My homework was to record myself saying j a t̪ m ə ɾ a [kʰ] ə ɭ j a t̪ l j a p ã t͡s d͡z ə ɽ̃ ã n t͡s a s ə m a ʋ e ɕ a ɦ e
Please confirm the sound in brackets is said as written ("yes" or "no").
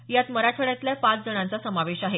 no